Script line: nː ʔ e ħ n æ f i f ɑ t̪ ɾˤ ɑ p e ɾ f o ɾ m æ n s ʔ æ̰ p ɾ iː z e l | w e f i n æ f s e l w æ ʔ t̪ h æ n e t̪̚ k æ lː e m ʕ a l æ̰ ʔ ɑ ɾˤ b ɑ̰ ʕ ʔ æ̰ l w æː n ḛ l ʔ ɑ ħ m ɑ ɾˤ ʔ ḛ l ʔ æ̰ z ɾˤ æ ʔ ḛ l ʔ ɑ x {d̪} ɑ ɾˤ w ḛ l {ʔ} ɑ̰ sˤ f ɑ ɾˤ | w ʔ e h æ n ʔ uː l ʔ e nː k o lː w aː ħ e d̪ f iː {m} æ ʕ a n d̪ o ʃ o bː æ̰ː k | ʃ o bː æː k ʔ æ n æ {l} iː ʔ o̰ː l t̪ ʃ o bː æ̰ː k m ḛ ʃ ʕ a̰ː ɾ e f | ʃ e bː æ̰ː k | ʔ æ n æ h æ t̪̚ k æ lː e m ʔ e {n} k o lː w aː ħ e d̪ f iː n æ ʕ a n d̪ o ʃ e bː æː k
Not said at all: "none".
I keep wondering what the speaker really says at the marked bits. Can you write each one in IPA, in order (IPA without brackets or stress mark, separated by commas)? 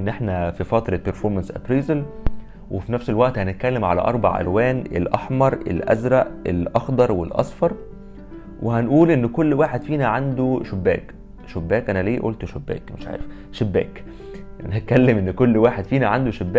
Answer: d̪, ʔ, n, l, nː